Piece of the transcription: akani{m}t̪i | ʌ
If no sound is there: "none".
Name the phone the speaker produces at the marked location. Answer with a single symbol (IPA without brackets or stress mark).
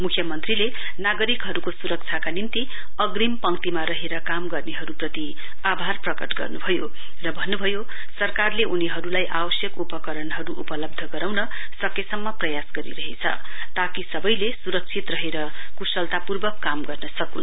n